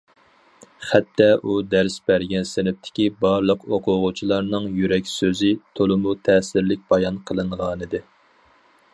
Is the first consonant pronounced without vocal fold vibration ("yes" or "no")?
yes